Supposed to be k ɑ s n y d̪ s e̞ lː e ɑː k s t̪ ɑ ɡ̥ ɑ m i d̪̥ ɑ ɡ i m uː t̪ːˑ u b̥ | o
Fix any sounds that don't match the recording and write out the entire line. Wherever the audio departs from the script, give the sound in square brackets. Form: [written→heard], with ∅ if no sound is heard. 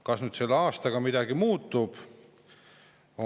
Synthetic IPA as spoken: k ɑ s n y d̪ s e̞ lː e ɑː [k→∅] s t̪ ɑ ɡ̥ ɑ m i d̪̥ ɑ ɡ i m uː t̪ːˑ u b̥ | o